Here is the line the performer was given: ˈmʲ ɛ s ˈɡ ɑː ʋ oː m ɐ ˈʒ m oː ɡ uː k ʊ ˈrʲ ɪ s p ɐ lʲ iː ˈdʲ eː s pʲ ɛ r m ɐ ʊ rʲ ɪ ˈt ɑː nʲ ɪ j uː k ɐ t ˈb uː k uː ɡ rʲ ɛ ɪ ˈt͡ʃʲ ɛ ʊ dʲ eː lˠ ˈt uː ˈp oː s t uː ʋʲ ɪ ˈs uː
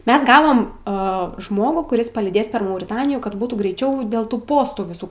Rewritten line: ˈmʲ ɛ s ˈɡ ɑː ʋ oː m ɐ ˈʒ m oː ɡ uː k ʊ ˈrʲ ɪ s p ɐ lʲ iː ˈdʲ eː s pʲ ɛ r m ɐ ʊ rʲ ɪ ˈt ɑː nʲ ɪ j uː k ɐ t ˈb uː t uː ɡ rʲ ɛ ɪ ˈt͡ʃʲ ɛ ʊ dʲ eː lˠ ˈt uː ˈp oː s t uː ʋʲ ɪ ˈs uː